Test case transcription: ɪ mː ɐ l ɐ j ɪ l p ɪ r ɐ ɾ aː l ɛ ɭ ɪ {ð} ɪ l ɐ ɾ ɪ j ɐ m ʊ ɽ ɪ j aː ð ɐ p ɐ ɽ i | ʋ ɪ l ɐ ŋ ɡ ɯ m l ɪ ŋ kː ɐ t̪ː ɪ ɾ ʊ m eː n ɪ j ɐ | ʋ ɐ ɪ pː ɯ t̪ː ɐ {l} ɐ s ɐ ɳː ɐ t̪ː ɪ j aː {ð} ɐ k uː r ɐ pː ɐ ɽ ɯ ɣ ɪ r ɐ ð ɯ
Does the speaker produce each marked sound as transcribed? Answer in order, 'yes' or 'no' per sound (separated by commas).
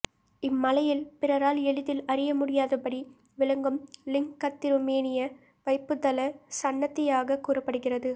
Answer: yes, yes, no